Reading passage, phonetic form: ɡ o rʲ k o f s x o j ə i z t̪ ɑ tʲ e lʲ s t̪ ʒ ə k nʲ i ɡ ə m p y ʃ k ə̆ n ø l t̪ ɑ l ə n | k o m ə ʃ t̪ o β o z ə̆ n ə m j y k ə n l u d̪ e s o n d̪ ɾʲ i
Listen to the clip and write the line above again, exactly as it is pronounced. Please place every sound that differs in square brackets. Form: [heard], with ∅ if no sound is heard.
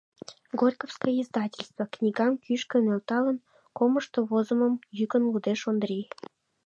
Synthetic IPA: ɡ o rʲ k o f s [k] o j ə i z [d̪] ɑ tʲ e lʲ s t̪ [v] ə k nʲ i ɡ [ɑ] m [k] y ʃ k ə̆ n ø l t̪ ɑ l ə n | k o m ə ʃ t̪ o β o z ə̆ [m] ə m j y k ə n l u d̪ e [ʃ] o n d̪ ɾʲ i